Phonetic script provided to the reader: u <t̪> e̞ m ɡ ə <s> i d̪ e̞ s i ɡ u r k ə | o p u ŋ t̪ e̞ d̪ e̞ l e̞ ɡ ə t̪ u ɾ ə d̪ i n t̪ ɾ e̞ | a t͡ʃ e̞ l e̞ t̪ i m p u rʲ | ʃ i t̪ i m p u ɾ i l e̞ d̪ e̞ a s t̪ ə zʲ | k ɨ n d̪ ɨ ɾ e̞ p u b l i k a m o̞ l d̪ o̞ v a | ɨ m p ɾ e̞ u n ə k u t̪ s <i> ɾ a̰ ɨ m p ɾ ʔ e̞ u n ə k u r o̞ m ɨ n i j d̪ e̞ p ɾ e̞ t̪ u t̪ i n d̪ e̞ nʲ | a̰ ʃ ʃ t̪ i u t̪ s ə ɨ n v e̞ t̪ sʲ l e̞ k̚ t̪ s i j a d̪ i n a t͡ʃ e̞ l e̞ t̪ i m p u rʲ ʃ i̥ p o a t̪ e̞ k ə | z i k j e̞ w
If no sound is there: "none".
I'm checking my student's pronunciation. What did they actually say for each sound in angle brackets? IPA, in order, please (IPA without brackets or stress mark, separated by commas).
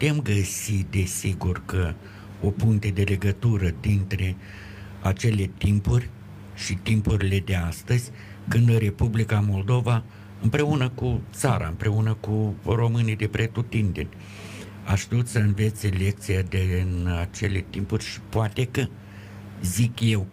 t̪, s, a